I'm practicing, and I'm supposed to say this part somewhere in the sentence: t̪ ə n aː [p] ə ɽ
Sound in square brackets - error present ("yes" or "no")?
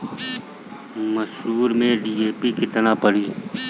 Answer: no